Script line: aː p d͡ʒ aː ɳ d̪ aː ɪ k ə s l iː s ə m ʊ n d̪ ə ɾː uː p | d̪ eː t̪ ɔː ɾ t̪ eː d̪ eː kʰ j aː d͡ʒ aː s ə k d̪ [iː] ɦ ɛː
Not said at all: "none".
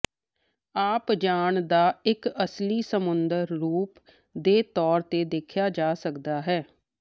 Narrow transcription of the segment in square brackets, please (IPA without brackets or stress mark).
aː